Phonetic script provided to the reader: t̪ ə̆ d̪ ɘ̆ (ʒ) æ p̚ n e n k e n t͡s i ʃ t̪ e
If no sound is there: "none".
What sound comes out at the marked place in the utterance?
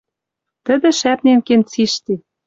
ʃ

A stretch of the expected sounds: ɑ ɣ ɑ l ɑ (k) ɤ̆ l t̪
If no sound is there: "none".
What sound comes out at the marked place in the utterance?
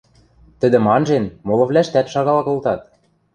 k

